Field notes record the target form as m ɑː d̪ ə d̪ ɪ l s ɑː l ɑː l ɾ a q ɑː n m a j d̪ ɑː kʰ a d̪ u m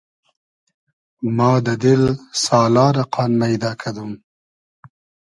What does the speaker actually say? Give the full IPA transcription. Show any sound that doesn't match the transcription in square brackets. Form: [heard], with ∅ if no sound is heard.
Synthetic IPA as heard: m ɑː d̪ ə d̪ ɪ l s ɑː l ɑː [∅] ɾ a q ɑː n m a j d̪ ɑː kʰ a d̪ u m